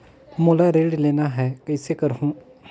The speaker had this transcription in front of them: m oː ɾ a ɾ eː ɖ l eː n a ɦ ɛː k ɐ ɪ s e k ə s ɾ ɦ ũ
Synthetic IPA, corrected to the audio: m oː l a ɾ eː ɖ l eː n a ɦ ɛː k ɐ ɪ s e k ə ɾ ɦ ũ